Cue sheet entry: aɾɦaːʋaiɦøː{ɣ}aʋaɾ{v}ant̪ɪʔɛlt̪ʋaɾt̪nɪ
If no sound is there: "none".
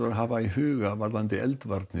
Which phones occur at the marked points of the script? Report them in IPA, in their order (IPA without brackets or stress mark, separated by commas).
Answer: ɣ, ð